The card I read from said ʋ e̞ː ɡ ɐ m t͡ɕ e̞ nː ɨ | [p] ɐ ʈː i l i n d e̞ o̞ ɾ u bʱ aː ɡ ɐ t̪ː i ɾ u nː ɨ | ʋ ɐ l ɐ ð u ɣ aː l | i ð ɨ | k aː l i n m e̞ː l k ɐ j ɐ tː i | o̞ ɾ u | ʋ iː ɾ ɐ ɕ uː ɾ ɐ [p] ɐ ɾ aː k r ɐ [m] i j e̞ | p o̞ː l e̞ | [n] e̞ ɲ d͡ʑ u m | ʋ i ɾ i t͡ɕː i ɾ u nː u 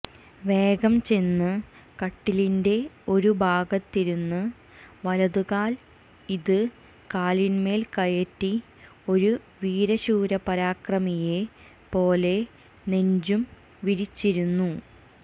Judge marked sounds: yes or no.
no, yes, yes, yes

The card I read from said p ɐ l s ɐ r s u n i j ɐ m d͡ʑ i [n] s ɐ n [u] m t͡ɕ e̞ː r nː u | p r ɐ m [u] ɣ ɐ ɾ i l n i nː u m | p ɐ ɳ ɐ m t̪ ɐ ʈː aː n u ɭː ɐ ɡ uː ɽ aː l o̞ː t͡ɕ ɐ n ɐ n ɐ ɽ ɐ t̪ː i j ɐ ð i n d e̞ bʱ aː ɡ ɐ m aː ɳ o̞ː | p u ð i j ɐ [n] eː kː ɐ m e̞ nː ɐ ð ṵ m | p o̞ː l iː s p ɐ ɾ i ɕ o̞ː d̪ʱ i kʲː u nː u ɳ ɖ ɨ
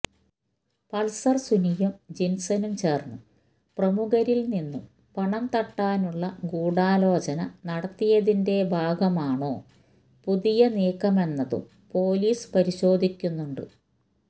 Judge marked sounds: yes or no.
yes, yes, yes, yes

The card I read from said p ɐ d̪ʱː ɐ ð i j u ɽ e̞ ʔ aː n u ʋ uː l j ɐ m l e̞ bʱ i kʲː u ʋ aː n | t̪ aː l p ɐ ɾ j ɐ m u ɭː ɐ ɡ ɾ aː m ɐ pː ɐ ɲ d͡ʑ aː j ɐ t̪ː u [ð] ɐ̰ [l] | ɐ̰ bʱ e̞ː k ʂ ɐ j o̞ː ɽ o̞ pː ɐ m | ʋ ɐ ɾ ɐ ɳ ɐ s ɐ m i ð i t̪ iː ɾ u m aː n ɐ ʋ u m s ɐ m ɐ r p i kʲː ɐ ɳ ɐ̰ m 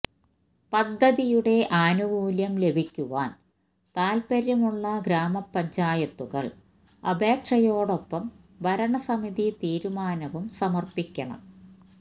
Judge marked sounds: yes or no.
no, no

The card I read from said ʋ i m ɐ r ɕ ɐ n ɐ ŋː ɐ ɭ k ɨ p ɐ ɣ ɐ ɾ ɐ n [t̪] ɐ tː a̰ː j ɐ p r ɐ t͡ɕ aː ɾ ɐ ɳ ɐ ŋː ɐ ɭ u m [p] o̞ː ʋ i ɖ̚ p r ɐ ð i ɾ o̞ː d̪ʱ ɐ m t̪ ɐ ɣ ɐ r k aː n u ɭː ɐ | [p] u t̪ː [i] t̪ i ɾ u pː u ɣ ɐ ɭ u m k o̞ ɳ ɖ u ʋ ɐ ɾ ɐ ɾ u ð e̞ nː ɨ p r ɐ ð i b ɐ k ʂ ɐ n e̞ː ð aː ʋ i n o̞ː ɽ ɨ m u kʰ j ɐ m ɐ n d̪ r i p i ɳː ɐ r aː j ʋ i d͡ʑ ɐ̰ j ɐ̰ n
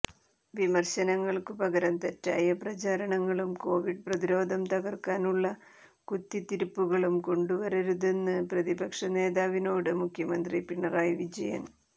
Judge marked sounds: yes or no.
yes, no, no, yes

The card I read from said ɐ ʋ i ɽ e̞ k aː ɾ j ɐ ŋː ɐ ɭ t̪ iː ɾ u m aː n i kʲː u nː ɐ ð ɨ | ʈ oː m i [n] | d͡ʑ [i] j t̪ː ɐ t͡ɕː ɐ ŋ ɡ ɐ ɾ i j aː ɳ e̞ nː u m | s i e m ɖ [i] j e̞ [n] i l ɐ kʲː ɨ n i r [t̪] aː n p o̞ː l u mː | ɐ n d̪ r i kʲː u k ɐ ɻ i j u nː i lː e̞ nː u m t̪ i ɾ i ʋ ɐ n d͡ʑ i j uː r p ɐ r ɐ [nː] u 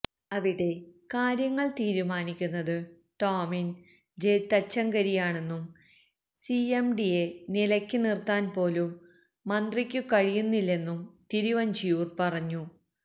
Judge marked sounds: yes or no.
yes, no, yes, yes, yes, no

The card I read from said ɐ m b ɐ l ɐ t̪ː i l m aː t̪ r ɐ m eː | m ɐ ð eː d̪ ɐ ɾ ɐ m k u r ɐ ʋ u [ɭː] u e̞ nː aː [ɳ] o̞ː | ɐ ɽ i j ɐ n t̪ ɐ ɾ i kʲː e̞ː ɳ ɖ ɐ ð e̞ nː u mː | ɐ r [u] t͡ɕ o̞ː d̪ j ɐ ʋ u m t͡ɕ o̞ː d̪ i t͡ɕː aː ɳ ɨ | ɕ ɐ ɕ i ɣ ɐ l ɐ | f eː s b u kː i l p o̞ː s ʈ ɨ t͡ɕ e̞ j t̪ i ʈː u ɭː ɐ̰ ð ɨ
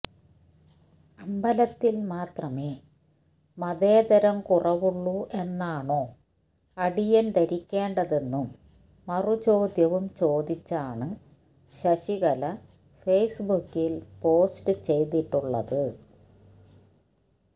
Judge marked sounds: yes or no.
yes, yes, yes

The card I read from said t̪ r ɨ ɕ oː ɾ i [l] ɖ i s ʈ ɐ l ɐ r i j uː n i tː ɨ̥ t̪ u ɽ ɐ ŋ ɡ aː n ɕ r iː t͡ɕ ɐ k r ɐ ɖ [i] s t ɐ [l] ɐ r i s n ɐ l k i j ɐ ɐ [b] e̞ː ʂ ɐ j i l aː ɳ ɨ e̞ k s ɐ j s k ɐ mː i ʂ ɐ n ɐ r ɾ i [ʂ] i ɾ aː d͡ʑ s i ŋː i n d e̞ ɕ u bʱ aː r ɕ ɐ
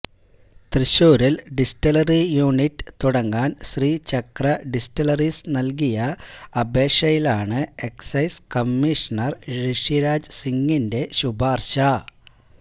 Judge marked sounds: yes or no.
yes, yes, yes, yes, yes

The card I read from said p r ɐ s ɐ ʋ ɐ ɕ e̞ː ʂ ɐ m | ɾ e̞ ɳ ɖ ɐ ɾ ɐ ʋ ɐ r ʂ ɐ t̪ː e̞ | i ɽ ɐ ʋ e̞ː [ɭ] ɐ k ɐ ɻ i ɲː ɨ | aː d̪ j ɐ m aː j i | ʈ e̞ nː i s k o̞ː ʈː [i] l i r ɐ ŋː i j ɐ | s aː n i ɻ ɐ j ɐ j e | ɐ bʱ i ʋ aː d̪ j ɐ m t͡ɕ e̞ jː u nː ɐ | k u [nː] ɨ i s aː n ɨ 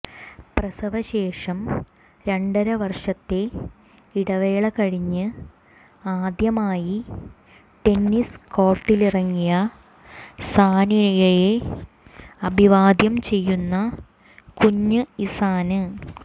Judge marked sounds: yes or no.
yes, yes, no

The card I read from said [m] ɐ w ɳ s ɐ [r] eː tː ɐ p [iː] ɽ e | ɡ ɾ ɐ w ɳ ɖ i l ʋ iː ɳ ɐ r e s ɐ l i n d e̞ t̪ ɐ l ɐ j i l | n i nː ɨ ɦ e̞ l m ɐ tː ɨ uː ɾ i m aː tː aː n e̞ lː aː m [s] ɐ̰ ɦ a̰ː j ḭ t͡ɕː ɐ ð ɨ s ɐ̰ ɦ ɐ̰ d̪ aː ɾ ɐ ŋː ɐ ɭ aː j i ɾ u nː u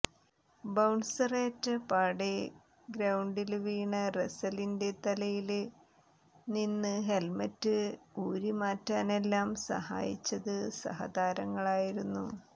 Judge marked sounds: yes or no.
no, yes, no, yes

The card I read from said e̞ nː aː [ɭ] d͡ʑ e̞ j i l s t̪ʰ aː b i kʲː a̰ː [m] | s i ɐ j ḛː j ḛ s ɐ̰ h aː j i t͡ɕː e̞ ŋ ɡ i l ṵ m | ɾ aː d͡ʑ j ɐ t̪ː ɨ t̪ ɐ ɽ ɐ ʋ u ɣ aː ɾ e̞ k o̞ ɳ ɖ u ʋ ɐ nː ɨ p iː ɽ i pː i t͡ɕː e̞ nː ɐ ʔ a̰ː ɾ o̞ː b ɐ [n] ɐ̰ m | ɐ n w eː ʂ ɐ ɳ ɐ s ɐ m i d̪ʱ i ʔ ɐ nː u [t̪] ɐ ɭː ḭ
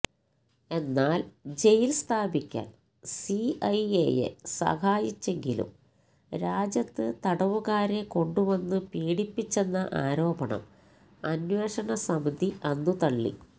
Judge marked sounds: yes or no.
no, no, no, yes

